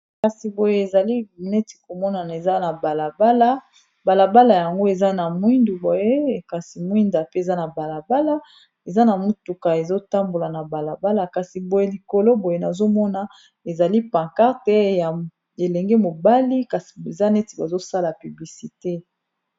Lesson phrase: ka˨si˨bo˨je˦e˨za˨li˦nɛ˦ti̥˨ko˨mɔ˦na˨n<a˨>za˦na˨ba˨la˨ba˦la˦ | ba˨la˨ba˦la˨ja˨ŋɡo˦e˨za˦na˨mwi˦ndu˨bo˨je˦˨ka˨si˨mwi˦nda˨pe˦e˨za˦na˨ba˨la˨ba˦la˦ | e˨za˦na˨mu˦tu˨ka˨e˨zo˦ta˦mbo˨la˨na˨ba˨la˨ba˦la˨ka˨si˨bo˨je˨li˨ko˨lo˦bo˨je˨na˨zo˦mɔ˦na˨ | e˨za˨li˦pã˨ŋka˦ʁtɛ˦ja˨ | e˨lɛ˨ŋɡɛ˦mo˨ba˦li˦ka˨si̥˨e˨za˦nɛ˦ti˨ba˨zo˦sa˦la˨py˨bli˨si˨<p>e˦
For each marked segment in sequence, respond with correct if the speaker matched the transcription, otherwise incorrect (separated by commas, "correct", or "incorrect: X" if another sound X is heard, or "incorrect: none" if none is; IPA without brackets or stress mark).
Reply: incorrect: e˨, incorrect: t